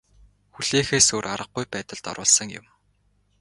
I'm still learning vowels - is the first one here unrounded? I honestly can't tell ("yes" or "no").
no